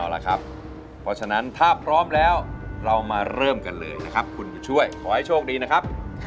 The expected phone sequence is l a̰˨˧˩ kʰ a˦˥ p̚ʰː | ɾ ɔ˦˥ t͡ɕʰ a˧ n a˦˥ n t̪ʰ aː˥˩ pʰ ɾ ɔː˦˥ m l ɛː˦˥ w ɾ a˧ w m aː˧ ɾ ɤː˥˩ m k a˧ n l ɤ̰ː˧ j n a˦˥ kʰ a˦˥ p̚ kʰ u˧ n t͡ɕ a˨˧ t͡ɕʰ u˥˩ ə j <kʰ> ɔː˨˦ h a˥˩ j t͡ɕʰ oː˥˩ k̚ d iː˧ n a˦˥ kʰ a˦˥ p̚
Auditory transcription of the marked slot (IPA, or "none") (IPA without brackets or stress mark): kʰ